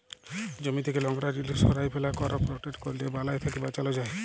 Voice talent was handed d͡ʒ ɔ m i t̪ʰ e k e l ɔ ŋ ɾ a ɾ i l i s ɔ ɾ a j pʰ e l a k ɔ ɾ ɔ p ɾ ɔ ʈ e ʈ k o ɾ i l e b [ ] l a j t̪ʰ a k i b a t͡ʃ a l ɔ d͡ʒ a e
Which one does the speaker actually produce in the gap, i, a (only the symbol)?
a